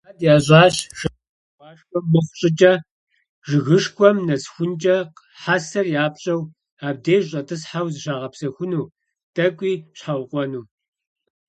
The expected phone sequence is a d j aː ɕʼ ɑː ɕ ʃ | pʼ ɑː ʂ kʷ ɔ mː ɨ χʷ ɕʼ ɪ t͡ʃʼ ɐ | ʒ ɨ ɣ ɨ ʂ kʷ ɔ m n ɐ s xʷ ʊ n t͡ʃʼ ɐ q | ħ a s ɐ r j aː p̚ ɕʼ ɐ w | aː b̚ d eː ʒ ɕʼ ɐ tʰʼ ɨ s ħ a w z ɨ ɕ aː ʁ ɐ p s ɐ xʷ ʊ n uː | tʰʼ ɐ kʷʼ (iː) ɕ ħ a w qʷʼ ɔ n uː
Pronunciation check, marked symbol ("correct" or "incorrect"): correct